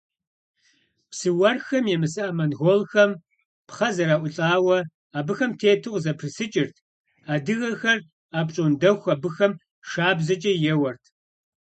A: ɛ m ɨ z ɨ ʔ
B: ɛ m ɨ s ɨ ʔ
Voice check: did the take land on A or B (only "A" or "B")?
B